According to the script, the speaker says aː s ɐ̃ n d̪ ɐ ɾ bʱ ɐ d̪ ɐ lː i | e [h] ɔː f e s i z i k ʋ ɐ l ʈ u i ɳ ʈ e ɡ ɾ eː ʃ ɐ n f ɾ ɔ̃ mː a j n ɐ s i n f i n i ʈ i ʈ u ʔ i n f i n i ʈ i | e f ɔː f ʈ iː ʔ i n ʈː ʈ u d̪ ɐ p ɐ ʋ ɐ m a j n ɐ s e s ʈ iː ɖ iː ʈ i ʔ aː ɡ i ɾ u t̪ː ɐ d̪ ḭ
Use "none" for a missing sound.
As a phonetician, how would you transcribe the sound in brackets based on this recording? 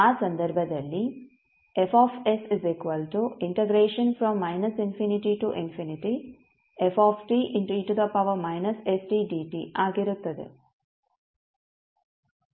f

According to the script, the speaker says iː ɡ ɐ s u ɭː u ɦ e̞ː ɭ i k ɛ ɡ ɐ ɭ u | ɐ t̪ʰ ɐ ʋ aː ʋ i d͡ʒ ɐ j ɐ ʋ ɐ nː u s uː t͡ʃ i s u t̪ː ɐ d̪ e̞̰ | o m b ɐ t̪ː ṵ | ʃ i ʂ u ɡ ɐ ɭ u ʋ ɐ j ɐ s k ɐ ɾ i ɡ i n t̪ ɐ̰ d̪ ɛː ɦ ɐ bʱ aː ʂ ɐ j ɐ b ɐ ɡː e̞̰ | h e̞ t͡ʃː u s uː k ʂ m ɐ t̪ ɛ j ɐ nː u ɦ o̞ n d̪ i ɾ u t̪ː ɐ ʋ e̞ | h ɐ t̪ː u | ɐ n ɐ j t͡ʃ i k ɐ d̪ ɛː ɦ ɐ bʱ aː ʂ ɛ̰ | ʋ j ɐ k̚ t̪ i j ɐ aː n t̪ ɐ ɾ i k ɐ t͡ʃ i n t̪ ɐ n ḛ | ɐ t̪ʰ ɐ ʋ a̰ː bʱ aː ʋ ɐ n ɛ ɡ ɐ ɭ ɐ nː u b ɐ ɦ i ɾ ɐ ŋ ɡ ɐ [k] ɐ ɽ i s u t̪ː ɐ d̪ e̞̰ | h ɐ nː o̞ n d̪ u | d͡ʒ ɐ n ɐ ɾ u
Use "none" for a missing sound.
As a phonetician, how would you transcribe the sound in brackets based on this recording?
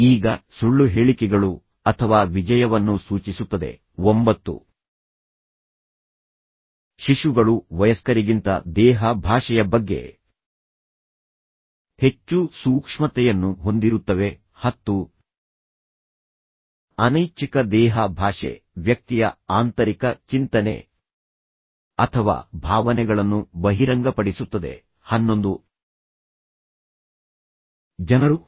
p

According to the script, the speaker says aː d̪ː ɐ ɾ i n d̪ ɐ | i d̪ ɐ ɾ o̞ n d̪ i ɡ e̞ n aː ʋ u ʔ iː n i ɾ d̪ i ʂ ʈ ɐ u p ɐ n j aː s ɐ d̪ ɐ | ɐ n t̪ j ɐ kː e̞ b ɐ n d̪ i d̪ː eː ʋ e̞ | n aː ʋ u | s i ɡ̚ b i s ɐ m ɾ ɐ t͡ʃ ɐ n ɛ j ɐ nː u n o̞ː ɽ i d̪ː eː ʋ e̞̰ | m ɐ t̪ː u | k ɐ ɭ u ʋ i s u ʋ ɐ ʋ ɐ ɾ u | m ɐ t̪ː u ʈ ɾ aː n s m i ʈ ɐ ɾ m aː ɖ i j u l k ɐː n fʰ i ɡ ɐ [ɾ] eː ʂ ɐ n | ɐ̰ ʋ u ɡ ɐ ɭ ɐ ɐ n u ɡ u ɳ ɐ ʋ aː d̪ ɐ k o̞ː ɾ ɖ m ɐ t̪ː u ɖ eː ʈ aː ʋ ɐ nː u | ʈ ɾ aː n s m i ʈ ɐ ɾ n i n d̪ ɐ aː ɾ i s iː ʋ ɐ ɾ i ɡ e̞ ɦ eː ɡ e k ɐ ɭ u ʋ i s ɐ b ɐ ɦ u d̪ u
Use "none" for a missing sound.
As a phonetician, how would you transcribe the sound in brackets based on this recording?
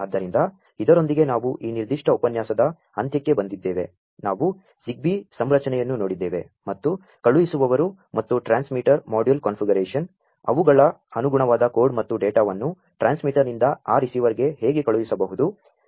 ɾ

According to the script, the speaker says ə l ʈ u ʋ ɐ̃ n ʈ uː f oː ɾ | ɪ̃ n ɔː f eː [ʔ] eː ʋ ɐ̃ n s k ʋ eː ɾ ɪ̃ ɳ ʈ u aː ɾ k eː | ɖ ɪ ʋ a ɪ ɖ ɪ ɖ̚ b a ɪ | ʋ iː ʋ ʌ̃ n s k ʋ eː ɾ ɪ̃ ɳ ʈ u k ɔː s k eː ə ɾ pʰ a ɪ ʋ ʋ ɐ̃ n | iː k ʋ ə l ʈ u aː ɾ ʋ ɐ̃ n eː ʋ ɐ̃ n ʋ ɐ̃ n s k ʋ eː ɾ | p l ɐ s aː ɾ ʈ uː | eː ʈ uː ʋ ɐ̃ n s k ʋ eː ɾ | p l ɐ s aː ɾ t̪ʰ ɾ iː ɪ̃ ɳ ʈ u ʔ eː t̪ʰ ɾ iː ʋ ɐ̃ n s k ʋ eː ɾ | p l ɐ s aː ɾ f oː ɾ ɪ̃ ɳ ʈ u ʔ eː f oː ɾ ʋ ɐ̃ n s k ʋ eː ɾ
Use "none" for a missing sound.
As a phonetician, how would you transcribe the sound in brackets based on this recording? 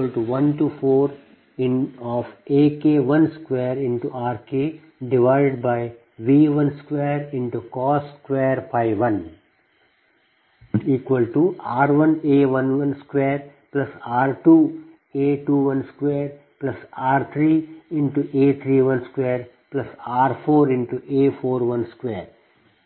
k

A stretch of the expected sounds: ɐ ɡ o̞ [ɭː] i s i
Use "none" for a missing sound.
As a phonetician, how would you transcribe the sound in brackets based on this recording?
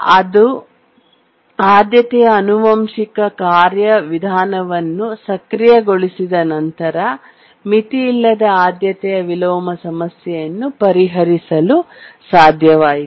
ɭ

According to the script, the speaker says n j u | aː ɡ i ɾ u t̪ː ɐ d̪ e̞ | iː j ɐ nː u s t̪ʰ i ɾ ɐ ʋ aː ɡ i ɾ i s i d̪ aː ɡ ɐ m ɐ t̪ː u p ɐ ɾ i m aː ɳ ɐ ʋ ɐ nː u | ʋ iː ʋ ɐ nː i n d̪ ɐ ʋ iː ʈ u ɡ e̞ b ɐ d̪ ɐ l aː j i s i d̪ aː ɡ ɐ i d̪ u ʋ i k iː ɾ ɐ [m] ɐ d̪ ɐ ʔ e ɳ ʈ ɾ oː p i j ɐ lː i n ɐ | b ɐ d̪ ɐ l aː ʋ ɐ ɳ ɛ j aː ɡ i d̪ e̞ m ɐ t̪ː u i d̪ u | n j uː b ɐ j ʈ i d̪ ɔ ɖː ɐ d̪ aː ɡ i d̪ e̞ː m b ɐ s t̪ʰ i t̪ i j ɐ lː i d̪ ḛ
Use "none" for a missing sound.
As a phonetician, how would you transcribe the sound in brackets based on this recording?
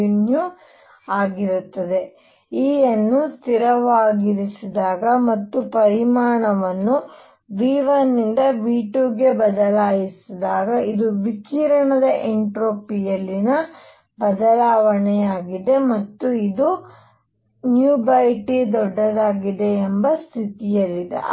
ɳ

